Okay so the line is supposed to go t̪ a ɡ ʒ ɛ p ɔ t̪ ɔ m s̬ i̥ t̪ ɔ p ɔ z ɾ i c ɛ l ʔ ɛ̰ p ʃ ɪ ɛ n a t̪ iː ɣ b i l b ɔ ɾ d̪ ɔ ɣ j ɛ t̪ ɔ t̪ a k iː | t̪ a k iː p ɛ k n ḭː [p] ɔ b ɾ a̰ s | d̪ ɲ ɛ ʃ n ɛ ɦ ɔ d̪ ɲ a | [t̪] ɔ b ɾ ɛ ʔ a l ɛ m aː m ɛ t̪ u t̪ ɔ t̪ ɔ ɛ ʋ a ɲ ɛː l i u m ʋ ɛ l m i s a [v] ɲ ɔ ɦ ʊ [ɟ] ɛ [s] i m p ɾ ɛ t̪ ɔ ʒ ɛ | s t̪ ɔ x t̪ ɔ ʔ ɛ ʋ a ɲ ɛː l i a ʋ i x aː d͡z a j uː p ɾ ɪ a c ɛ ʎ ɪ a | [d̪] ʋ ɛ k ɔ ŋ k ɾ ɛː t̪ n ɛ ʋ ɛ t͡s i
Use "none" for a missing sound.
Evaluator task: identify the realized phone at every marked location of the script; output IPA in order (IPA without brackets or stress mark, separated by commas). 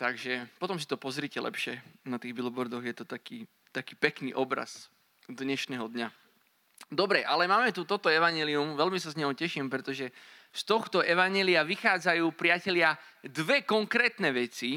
ʔ, d̪, z, c, ʃ, d̪